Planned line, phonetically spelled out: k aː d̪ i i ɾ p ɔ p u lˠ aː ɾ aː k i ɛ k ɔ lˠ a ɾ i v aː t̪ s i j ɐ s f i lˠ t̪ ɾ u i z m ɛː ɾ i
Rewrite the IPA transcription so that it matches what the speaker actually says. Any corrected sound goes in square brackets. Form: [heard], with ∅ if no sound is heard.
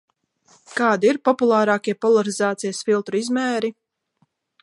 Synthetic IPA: k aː d̪ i i ɾ p ɔ p u lˠ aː ɾ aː k i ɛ [p] ɔ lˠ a ɾ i [z] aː t̪ s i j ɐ s f i lˠ t̪ ɾ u i z m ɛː ɾ i